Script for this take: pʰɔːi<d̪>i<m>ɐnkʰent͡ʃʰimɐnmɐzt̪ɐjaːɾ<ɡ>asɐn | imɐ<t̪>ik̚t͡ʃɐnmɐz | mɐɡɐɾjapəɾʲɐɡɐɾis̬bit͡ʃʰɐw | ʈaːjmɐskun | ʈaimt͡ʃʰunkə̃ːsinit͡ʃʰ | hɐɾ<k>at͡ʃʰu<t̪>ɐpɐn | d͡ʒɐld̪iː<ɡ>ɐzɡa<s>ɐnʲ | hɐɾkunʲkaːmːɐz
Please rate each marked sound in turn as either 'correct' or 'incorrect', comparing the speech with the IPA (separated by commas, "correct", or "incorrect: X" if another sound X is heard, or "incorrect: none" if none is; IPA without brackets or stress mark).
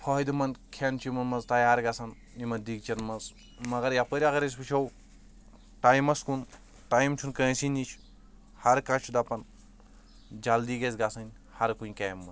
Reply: correct, correct, correct, incorrect: d̪, correct, incorrect: d̪, correct, correct